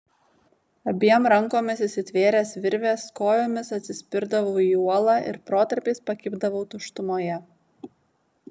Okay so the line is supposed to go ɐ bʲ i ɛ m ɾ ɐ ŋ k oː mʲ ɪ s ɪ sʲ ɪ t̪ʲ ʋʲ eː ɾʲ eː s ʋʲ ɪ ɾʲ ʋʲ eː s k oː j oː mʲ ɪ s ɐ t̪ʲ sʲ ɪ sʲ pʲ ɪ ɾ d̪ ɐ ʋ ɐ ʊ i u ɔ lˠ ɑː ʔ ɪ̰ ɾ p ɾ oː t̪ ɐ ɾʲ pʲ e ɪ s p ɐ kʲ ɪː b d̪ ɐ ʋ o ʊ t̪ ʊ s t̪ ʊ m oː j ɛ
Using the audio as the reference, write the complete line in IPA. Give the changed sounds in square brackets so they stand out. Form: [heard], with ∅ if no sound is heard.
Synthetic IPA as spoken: ɐ bʲ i ɛ m ɾ ɐ ŋ k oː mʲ ɪ s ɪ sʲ ɪ t̪ʲ ʋʲ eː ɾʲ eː s ʋʲ ɪ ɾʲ ʋʲ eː s k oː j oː mʲ ɪ s ɐ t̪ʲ sʲ ɪ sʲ pʲ ɪ ɾ d̪ ɐ ʋ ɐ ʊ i u ɔ lˠ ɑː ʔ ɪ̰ ɾ p ɾ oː t̪ ɐ ɾʲ pʲ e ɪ s p ɐ kʲ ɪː b d̪ ɐ ʋ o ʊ t̪ ʊ [ʃ] t̪ ʊ m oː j ɛ